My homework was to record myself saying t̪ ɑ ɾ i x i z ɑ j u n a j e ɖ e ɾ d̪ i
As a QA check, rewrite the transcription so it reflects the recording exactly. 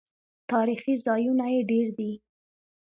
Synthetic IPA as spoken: t̪ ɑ ɾ i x i z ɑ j u n a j e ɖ e ɾ d̪ i

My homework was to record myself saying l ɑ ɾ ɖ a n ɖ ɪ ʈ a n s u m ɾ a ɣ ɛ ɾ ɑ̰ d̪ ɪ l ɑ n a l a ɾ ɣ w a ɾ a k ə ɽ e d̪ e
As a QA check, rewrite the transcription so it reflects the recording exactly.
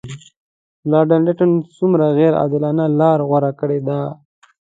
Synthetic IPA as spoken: l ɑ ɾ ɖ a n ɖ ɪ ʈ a n s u m ɾ a ɣ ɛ ɾ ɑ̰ d̪ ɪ l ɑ n a l ɑ ɾ ɣ w a ɾ a k ə ɽ e d̪ a

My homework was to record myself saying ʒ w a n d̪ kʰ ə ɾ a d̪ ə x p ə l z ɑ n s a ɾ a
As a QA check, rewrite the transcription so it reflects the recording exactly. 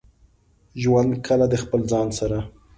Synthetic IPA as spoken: ʒ w a n d̪ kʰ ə l a d̪ ə x p ə l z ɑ n s a ɾ a

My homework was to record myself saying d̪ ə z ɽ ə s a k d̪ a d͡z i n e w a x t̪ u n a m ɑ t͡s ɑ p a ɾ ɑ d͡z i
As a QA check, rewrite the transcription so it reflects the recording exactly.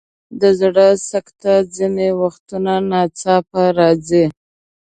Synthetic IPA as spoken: d̪ ə z ɽ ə s a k t̪ a d͡z i n e w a x t̪ u n a n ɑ t͡s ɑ p a ɾ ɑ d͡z i

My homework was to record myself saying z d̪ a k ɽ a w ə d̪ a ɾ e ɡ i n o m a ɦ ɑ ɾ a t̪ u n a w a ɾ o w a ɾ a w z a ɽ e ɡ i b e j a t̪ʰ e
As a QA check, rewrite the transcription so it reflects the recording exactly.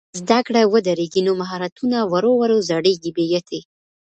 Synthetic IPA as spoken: z d̪ a k ɽ a w ə d̪ a ɾ e ɡ i n o m a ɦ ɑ ɾ a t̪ u n a w a ɾ o w a ɾ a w z a ɽ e ɡ i b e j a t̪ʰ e

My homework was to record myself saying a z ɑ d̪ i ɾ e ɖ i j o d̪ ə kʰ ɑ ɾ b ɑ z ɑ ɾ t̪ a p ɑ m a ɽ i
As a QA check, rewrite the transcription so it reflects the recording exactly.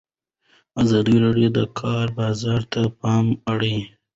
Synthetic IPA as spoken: a z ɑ d̪ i ɾ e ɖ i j o d̪ ə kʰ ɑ ɾ b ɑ z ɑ ɾ t̪ a p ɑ m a ɽ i

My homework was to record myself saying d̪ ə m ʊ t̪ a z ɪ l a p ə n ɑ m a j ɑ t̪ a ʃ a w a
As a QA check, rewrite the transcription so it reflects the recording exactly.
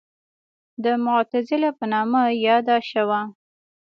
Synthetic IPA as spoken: d̪ ə m ʊ t̪ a z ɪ l a p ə n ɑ m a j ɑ d̪ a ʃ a w a

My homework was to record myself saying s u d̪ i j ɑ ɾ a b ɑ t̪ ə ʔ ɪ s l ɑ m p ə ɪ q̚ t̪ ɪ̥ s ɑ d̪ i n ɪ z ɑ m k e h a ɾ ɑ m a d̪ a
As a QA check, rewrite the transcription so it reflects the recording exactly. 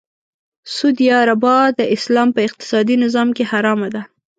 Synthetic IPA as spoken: s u d̪ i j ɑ ɾ a b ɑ d̪ ə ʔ ɪ s l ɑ m p ə ɪ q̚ t̪ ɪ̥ s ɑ d̪ i n ɪ z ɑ m k e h a ɾ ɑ m a d̪ a

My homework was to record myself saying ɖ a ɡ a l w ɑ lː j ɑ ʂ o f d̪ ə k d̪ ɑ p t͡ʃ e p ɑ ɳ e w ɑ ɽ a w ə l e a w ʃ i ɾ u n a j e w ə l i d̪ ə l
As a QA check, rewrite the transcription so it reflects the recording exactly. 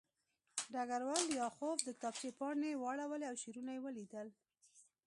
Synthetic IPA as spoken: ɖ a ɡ a ɾ w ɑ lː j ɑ x o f d̪ ə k t̪ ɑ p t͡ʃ e p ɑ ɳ e w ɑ ɽ a w ə l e a w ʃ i ɾ u n a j e w ə l i d̪ ə l

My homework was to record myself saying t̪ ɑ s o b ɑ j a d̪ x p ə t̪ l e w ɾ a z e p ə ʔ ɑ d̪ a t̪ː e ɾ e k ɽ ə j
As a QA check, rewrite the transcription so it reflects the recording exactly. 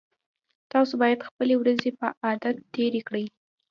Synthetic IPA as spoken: t̪ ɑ s o b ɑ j a d̪ x p ə l e w ɾ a z e p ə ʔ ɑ d̪ a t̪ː e ɾ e k ɽ ə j

